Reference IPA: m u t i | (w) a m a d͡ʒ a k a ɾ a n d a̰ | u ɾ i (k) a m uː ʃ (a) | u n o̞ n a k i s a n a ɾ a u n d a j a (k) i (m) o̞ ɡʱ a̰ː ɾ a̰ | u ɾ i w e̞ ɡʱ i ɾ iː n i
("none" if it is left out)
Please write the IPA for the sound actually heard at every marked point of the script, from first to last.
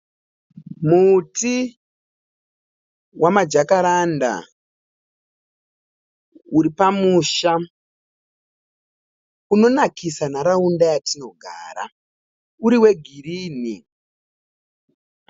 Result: w, p, a, t, n

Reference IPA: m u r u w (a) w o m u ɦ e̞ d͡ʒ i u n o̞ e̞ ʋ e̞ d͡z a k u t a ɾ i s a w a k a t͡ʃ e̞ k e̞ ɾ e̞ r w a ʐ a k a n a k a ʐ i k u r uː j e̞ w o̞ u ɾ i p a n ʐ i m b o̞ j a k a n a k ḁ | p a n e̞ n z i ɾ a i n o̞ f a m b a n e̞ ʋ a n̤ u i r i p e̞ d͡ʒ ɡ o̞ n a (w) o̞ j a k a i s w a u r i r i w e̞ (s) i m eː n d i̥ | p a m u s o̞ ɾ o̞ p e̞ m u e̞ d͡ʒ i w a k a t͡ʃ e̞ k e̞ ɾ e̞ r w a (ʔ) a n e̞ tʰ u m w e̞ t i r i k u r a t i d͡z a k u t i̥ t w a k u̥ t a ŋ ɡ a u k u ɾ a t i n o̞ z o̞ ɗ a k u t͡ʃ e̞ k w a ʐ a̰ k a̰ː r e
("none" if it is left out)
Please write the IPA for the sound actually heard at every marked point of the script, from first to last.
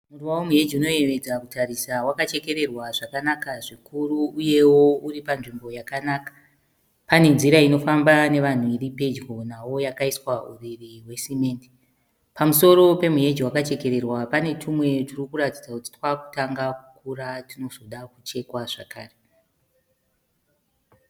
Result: a, w, s, p

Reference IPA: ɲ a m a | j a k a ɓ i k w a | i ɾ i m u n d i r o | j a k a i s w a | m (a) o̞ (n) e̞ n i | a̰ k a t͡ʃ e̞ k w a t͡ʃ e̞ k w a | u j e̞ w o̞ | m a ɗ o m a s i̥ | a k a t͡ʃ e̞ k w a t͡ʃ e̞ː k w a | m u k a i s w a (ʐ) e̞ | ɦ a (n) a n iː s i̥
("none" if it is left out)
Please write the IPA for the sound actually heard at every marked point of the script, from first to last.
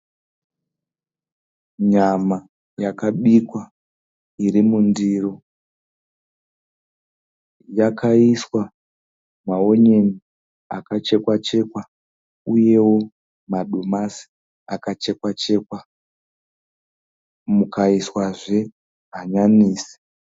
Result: a, ɲ, ʐ, ɲ

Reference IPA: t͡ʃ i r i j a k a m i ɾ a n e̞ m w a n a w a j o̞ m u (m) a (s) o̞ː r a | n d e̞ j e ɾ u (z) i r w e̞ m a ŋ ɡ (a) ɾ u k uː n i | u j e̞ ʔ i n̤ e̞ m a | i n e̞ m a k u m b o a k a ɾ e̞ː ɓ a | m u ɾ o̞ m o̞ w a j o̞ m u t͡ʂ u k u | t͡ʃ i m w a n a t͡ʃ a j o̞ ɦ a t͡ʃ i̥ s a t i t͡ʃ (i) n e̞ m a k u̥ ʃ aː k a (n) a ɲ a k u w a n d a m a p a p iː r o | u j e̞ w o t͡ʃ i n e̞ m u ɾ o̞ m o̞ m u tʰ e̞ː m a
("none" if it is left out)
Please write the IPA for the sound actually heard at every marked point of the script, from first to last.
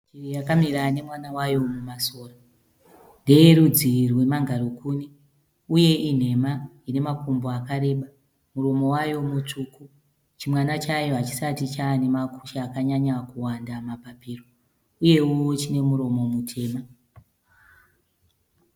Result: m, s, d͡z, a, a, ɲ

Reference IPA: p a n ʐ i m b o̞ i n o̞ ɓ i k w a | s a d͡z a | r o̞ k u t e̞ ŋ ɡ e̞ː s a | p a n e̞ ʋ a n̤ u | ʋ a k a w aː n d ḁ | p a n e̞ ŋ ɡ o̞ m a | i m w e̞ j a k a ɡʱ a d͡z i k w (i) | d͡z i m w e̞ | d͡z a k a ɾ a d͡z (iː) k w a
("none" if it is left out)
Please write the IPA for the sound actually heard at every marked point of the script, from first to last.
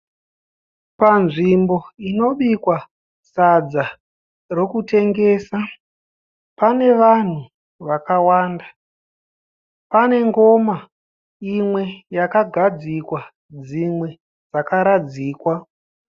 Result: a, iː

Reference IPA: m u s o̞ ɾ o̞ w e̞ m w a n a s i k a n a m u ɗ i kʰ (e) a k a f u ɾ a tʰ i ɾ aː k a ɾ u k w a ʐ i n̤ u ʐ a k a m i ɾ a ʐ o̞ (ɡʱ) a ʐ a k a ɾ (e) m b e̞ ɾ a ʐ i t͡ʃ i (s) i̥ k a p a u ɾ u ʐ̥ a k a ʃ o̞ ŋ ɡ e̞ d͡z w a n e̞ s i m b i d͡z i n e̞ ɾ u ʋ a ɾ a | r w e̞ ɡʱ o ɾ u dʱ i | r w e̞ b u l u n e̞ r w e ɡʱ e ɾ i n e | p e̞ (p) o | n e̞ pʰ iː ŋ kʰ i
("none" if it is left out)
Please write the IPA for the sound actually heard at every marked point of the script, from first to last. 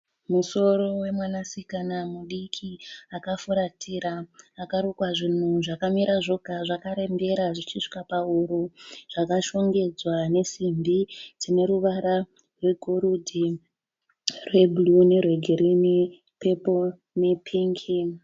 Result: i, ɡʱ, e, ʂ, p

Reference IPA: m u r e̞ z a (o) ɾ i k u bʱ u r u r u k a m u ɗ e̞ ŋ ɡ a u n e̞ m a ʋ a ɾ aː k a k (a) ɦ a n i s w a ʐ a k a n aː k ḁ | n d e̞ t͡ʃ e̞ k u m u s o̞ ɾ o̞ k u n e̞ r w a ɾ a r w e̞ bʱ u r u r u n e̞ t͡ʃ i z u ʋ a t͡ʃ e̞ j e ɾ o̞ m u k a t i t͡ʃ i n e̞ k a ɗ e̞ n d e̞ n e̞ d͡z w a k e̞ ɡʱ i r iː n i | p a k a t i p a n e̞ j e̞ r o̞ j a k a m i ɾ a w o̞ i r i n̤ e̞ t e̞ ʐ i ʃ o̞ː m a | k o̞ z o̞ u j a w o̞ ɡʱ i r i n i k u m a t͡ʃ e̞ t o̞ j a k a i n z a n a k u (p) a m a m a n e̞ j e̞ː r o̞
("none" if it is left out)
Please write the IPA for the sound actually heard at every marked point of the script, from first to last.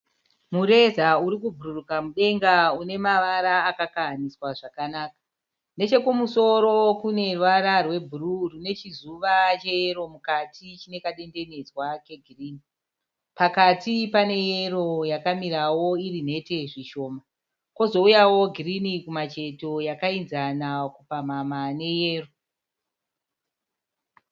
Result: u, a, p

